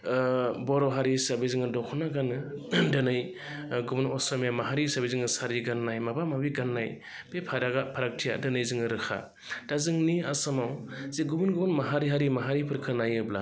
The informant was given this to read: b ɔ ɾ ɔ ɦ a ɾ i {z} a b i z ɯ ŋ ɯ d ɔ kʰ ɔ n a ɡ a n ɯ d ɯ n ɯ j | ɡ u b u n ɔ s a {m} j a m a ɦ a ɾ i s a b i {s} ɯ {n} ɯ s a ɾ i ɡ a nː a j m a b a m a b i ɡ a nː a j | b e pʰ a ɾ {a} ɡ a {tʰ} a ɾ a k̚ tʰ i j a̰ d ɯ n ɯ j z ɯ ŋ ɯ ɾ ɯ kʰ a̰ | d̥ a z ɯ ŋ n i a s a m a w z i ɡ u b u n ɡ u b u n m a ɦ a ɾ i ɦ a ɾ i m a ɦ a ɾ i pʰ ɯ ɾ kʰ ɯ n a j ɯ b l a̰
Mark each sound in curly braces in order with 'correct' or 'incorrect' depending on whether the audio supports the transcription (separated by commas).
incorrect, correct, incorrect, incorrect, correct, incorrect